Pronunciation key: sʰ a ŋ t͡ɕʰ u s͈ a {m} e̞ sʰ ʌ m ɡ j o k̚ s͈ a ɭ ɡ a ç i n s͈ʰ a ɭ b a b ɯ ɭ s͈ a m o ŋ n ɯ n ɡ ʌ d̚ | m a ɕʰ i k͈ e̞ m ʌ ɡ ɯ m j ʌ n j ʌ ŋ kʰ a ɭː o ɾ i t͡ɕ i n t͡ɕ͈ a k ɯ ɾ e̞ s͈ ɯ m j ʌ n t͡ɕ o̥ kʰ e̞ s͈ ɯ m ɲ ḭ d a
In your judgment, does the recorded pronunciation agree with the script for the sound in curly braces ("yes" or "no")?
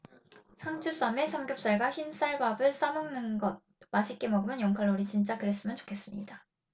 yes